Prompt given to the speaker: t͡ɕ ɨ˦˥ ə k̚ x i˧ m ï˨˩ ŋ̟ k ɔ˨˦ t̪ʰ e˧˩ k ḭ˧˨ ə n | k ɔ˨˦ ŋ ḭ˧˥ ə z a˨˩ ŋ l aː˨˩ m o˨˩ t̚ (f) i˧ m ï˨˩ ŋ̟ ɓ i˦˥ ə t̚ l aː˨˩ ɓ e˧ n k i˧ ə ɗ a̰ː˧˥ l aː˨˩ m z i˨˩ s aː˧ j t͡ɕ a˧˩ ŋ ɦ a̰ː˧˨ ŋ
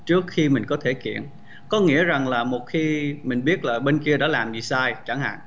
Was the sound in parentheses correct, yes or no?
no